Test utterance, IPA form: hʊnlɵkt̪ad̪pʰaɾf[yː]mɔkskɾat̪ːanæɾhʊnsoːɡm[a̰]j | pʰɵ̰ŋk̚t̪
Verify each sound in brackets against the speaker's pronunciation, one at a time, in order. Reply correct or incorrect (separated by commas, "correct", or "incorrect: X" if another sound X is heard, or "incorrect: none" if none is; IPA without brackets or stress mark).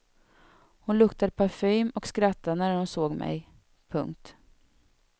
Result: correct, incorrect: ɛ̰